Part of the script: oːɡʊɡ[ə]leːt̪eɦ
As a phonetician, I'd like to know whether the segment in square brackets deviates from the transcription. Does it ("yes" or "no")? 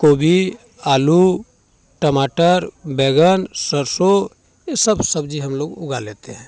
yes